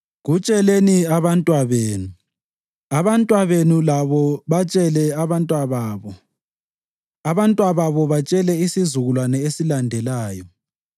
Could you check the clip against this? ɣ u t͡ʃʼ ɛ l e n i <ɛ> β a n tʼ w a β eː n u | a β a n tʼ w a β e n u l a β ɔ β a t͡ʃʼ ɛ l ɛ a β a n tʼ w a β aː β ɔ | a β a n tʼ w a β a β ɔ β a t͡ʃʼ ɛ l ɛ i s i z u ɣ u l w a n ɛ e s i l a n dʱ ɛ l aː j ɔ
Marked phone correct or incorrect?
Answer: incorrect